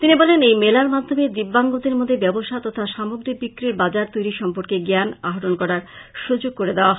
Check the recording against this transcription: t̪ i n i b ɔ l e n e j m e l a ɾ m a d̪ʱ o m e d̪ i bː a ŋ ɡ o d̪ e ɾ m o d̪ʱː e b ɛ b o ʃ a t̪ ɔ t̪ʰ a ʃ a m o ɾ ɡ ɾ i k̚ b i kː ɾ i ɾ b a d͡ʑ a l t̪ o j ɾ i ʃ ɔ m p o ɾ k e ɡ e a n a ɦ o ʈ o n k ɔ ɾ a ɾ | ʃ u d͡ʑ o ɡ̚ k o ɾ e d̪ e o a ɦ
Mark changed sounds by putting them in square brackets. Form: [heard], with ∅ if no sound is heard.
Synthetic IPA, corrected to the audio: t̪ i n i b ɔ l e n e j m e l a ɾ m a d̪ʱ o m e d̪ i bː a ŋ ɡ o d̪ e ɾ m o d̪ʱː e b ɛ b o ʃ a t̪ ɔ t̪ʰ a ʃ a m o [∅] ɡ ɾ i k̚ b i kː ɾ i ɾ b a d͡ʑ a [ɾ] t̪ o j ɾ i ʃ ɔ m p o ɾ k e ɡ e a n a ɦ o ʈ o n k ɔ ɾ a ɾ | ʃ u d͡ʑ o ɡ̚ k o ɾ e d̪ e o a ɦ